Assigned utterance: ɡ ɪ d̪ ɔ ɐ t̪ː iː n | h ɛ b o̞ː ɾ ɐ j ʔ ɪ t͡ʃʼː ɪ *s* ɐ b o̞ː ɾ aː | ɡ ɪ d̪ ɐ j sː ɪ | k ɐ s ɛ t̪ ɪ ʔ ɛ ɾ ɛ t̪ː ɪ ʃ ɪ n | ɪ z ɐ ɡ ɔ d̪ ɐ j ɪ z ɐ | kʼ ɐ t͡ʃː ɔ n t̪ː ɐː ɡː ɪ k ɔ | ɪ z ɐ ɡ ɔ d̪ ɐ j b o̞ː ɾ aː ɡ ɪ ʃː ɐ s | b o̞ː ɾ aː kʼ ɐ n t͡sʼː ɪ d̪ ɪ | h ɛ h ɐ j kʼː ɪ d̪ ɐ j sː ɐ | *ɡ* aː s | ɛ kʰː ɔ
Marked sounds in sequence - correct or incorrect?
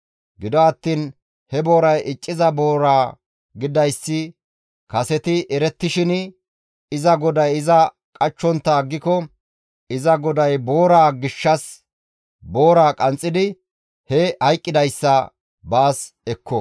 incorrect: z, incorrect: b

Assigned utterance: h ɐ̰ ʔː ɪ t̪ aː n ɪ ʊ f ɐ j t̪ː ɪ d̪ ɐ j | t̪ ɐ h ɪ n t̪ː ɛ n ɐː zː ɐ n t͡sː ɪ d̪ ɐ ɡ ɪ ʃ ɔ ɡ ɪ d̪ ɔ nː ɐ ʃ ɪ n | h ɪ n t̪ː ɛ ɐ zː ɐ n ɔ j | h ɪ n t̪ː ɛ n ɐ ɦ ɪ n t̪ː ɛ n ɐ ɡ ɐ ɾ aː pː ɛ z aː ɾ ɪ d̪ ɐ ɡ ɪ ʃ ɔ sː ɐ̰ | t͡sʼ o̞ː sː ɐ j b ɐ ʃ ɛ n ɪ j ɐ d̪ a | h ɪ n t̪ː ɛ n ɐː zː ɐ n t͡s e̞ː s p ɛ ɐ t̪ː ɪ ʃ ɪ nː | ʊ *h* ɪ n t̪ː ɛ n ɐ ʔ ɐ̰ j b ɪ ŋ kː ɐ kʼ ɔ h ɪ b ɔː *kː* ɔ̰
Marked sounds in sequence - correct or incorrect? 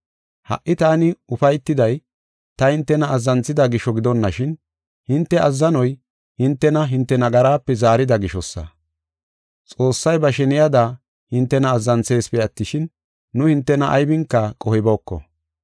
correct, correct

